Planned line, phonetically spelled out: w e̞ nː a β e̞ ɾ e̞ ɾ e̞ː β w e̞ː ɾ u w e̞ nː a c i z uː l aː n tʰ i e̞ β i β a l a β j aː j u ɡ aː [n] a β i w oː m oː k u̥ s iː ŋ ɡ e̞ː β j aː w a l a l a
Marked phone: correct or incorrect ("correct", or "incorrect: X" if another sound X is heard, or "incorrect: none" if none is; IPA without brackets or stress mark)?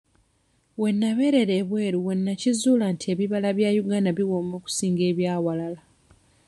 correct